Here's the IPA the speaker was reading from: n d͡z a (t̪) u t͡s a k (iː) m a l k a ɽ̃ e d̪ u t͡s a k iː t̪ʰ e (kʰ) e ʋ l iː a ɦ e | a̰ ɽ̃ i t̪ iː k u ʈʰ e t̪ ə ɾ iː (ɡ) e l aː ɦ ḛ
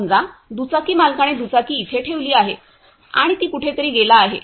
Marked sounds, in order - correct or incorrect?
incorrect: d̪, correct, incorrect: ʈʰ, correct

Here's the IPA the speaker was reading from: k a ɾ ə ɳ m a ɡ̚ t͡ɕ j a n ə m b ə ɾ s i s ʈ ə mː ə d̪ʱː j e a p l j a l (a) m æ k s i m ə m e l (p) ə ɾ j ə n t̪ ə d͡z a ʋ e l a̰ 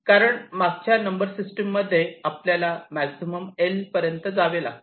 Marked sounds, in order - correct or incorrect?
correct, correct

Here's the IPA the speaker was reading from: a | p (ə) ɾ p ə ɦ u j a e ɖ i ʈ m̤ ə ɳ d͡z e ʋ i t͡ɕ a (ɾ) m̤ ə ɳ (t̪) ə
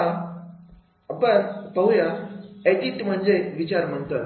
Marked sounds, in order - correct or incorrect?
correct, correct, correct

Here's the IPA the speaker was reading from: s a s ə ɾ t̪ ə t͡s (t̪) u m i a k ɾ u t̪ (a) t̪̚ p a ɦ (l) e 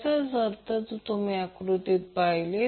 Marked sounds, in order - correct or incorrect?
correct, incorrect: i, correct

